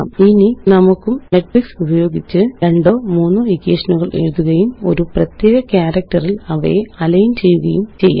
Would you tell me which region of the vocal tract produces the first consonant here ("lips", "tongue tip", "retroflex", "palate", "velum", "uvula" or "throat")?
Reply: tongue tip